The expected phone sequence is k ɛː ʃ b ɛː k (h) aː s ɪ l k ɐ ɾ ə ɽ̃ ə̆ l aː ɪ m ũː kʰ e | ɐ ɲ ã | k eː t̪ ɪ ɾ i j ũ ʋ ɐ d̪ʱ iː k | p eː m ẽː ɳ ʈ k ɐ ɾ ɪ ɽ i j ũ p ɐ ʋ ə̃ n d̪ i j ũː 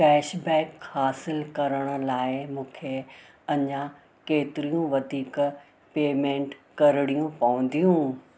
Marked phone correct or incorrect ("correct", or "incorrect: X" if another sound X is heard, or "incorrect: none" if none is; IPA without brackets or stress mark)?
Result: correct